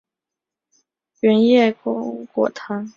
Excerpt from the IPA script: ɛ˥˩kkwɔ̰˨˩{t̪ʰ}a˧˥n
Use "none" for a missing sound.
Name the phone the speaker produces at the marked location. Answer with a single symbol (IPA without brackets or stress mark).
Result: t̪ʰ